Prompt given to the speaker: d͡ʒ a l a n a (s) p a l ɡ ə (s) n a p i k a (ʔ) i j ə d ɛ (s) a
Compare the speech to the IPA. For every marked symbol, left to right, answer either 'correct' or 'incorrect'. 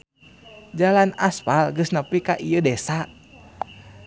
correct, correct, correct, correct

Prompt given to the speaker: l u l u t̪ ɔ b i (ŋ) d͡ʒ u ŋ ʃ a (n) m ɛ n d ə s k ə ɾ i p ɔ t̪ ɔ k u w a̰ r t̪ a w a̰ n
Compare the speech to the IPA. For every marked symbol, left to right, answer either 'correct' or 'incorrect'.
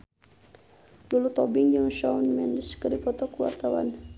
correct, correct

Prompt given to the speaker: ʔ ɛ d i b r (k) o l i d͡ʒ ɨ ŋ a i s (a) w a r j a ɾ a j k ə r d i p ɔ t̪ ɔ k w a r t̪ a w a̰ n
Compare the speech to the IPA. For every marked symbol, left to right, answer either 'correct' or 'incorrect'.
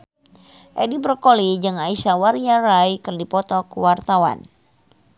correct, correct

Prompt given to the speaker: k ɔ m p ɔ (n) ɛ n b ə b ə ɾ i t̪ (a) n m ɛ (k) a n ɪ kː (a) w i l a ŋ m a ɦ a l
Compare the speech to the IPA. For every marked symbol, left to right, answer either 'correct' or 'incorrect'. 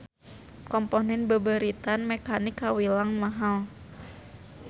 correct, correct, correct, correct

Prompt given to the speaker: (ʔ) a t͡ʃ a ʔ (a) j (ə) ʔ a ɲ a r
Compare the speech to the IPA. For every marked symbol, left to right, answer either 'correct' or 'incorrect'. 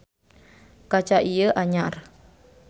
incorrect, incorrect, correct

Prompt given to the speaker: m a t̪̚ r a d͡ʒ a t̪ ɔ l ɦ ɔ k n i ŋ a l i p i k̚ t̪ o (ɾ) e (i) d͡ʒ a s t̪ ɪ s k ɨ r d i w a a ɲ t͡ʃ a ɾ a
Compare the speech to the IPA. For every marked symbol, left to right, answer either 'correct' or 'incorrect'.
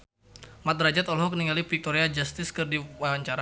correct, incorrect

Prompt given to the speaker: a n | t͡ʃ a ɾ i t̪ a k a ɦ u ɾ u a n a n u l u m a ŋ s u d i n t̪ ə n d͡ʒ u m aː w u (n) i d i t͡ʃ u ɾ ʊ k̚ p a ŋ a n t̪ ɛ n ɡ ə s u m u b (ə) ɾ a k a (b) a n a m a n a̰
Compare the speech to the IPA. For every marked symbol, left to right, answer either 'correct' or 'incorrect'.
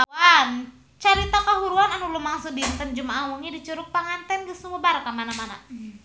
incorrect, incorrect, incorrect

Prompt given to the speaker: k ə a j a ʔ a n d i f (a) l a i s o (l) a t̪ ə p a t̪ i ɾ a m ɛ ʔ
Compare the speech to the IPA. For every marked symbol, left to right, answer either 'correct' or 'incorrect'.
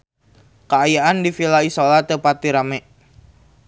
incorrect, correct

